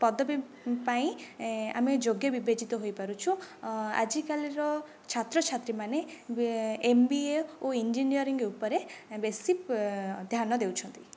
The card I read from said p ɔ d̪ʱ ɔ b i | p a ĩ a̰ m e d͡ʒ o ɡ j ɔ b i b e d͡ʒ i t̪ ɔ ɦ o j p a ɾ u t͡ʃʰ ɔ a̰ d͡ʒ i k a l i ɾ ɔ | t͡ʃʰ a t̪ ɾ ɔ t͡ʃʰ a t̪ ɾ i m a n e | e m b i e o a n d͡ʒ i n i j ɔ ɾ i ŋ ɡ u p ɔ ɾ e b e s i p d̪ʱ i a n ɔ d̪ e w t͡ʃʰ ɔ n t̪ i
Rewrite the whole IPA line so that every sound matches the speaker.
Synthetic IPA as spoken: p ɔ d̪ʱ ɔ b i | p a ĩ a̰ m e d͡ʒ o ɡ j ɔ b i b e d͡ʒ i t̪ ɔ ɦ o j p a ɾ u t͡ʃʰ u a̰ d͡ʒ i k a l i ɾ ɔ | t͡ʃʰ a t̪ ɾ ɔ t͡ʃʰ a t̪ ɾ i m a n e | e m b i e o i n d͡ʒ i n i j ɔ ɾ i ŋ ɡ u p ɔ ɾ e b e s i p d̪ʱ j a n ɔ d̪ e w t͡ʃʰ ɔ n t̪ i

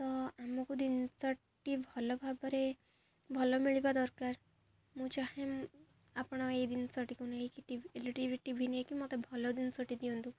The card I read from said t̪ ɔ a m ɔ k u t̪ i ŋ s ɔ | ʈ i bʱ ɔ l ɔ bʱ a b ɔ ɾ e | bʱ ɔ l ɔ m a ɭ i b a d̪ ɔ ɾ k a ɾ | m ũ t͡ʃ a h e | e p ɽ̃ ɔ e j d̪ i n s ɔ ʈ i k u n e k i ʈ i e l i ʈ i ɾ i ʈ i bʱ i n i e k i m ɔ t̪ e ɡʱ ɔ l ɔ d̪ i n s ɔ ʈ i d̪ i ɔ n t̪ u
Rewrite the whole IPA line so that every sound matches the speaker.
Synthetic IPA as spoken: t̪ ɔ a m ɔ k u d̪ i n s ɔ | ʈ i bʱ ɔ l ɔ bʱ a b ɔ ɾ e | bʱ ɔ l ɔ m i ɭ i b a d̪ ɔ ɾ k a ɾ | m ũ t͡ʃ a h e | a p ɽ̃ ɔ e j d̪ i n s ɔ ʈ i k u n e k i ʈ i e l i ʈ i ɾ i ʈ i bʱ i n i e k i m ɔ t̪ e bʱ ɔ l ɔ d̪ i n s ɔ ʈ i d̪ i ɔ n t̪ u

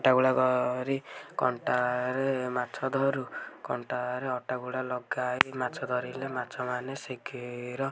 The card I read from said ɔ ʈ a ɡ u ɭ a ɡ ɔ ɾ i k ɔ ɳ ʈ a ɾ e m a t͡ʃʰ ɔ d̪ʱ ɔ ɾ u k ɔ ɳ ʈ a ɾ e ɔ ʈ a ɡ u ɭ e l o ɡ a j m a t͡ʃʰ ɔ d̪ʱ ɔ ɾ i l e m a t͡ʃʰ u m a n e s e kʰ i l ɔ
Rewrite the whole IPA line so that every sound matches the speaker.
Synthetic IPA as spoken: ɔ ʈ a ɡ u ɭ a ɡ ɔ ɾ i k ɔ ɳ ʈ a ɾ e m a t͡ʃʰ ɔ d̪ʱ ɔ ɾ u k ɔ ɳ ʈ a ɾ e ɔ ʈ a ɡ u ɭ a l ɔ ɡ a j m a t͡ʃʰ ɔ d̪ʱ ɔ ɾ i l e m a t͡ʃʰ ɔ m a n e s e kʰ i ɾ ɔ

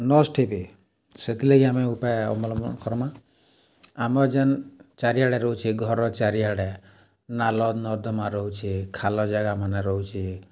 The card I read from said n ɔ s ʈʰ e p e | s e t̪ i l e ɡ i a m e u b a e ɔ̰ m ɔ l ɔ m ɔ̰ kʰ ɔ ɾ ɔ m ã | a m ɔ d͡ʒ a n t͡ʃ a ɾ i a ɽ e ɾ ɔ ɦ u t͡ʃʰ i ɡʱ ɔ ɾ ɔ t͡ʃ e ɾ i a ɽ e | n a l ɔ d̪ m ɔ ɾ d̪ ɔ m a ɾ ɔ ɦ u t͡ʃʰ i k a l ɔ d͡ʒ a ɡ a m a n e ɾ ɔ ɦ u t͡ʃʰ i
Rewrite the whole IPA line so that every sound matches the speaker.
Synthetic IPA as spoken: n ɔ s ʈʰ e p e | s e t̪ i l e ɡ i a m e u p a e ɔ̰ m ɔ l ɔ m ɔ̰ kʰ ɔ ɾ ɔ m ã | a m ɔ d͡ʒ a n t͡ʃ a ɾ i a ɽ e ɾ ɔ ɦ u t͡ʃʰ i ɡʱ ɔ ɾ ɔ t͡ʃ a ɾ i a ɽ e | n a l ɔ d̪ n ɔ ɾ d̪ ɔ m a ɾ ɔ ɦ u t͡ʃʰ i kʰ a l ɔ d͡ʒ a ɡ a m a n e ɾ ɔ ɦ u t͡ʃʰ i

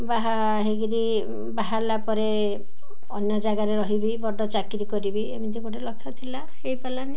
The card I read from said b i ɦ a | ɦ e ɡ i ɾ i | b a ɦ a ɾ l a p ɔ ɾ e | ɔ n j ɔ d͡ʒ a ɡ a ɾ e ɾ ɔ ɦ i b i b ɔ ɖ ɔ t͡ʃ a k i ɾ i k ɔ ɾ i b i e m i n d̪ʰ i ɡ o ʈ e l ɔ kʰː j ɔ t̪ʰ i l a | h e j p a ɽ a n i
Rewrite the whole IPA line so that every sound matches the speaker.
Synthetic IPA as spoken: b a ɦ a | ɦ e ɡ i ɾ i | b a ɦ a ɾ l a p ɔ ɾ e | ɔ n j ɔ d͡ʒ a ɡ a ɾ e ɾ ɔ ɦ i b i b ɔ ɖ ɔ t͡ʃ a k i ɾ i k ɔ ɾ i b i e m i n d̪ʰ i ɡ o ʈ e l ɔ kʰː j ɔ t̪ʰ i l a | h e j p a l a n i

